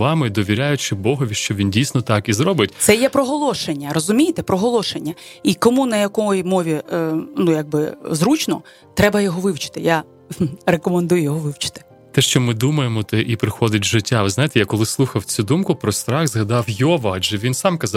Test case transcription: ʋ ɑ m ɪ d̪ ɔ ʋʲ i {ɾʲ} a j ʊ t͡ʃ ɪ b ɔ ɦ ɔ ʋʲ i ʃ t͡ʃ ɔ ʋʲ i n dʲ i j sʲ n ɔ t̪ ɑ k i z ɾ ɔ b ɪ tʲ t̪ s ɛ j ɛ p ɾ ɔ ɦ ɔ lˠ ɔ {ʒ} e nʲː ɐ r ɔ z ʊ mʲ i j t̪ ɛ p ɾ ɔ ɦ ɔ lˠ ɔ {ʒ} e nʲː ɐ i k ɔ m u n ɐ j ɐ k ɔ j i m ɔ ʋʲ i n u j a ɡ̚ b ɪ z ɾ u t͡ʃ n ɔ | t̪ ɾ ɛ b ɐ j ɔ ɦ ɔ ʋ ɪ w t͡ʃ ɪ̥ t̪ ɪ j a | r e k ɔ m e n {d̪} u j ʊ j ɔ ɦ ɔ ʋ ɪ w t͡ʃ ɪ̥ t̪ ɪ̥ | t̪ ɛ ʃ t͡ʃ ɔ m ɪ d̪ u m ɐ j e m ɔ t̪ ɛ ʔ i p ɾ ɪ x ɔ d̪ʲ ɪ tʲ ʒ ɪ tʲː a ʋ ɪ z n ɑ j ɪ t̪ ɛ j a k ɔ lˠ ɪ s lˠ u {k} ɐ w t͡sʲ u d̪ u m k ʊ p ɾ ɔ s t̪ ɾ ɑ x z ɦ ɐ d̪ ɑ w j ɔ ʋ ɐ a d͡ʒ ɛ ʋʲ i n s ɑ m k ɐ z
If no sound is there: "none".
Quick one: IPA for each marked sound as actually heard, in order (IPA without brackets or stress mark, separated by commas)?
ɾʲ, ʃ, ʃ, d̪, x